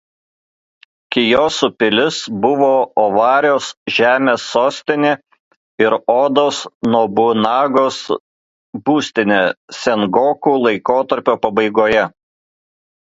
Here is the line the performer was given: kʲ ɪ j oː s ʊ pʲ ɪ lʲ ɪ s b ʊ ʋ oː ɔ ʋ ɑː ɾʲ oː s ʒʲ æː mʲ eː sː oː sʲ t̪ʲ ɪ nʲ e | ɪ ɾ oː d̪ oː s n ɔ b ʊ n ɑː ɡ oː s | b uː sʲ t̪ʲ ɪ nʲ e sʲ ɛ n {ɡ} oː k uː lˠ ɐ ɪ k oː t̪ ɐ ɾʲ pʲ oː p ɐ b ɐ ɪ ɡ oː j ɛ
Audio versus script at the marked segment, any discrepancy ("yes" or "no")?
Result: no